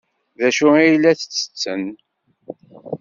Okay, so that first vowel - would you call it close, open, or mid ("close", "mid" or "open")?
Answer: open